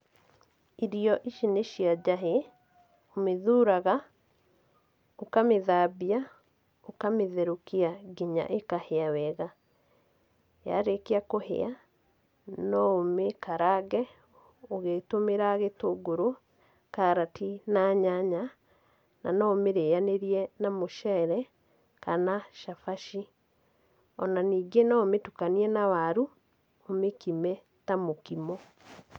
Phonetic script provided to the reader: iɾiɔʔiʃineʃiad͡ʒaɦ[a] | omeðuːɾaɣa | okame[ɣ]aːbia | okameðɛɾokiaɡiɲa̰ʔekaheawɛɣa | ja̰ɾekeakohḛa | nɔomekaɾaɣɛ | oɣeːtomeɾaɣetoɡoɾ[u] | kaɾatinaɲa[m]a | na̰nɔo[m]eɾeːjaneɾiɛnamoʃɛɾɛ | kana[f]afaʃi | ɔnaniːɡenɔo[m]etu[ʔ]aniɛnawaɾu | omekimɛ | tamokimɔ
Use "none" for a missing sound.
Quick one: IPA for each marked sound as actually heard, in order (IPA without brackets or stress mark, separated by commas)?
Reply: e, ð, o, ɲ, m, ʃ, m, k